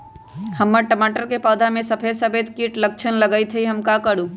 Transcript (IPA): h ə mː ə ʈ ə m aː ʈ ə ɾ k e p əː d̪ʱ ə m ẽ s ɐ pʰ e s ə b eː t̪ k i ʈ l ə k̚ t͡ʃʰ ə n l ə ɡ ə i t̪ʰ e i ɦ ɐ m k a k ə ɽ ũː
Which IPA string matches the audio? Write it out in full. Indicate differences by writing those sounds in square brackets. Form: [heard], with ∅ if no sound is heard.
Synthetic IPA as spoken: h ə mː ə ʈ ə m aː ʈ ə ɾ k e p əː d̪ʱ [a] m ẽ s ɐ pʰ e s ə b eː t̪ k i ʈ l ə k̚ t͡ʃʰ ə n l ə ɡ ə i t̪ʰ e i ɦ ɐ m k a k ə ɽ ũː